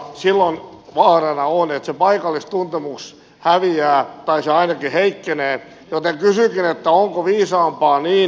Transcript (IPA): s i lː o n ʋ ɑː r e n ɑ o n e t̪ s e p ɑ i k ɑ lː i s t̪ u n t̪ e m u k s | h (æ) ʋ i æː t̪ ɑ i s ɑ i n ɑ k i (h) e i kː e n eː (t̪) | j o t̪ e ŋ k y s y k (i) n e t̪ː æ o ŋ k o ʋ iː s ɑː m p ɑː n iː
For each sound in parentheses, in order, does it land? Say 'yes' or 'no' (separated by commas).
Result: yes, yes, no, yes